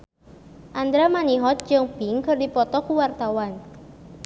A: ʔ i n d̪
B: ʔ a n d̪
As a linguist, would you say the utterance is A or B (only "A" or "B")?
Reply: B